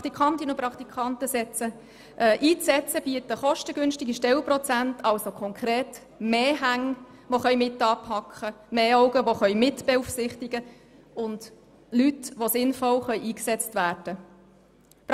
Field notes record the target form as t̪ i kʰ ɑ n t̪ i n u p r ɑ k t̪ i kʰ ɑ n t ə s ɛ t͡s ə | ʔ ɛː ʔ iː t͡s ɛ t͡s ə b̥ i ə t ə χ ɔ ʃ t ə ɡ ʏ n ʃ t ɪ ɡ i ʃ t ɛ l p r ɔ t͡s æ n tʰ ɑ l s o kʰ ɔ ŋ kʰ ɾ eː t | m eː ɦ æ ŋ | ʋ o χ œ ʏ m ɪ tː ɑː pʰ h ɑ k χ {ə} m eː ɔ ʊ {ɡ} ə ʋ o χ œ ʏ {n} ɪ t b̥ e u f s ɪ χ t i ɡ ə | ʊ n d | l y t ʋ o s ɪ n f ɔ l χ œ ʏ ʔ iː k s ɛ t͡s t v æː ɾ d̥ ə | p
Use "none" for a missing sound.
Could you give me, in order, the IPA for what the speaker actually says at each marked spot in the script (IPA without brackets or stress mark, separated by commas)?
ə, ɡ, m